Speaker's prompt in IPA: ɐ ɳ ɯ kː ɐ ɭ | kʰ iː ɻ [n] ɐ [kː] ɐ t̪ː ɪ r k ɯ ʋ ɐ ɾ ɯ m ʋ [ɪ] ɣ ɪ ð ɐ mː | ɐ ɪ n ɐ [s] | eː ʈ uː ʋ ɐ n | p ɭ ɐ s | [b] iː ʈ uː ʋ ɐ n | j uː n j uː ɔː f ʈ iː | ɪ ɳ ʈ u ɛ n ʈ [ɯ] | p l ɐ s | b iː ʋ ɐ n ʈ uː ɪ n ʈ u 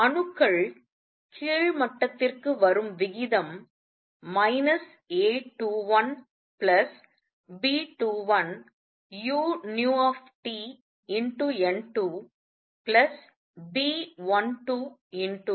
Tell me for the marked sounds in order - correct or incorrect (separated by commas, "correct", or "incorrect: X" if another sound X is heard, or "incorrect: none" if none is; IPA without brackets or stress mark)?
incorrect: m, incorrect: ʈː, correct, correct, correct, incorrect: u